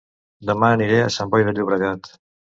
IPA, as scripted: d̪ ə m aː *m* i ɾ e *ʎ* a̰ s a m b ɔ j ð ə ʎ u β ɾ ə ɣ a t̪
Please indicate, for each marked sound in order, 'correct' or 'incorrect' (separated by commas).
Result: incorrect, incorrect